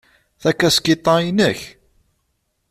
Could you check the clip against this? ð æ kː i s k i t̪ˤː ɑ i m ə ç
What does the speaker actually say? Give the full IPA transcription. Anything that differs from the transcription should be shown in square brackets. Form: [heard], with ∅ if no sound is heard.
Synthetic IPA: [θ] æ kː [æ] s k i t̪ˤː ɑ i [n] ə ç